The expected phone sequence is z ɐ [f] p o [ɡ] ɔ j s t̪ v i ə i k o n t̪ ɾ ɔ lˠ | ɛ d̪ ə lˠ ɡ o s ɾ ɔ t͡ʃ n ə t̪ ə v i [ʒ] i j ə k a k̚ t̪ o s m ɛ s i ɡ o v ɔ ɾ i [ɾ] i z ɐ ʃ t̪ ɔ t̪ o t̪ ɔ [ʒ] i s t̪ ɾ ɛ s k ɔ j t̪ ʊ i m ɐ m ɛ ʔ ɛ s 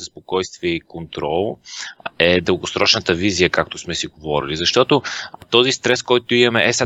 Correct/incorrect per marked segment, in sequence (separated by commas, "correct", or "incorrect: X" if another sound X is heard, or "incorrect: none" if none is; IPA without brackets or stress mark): incorrect: s, incorrect: k, incorrect: z, incorrect: l, incorrect: z